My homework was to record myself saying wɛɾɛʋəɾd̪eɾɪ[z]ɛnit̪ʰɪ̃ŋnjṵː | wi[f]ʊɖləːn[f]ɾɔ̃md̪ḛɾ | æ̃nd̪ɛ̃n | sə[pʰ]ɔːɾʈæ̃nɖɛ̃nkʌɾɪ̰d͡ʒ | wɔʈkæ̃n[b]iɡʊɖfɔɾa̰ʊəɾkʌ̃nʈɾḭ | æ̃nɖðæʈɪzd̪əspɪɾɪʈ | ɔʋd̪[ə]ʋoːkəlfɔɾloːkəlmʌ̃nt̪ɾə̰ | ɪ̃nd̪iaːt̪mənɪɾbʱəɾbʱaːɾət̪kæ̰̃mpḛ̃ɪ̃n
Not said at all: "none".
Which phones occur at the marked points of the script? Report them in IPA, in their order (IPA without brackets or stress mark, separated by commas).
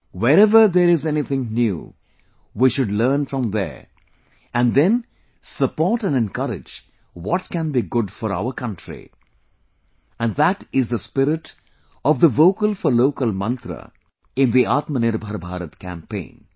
z, ʃ, f, p, b, ə